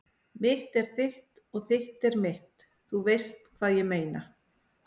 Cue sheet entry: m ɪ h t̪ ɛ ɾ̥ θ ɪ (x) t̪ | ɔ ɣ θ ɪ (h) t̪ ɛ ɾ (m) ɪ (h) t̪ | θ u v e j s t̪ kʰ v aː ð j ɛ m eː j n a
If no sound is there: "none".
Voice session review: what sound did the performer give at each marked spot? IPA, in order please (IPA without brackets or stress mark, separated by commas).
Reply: h, h, m, h